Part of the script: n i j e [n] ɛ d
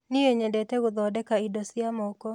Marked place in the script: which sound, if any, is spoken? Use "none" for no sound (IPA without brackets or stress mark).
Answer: ɲ